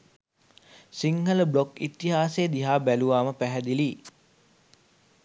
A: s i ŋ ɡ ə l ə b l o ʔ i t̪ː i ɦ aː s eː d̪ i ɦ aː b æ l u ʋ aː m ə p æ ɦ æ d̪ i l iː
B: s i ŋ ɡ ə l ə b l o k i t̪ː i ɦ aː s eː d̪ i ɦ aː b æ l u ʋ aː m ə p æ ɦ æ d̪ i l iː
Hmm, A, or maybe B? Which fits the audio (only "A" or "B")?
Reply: B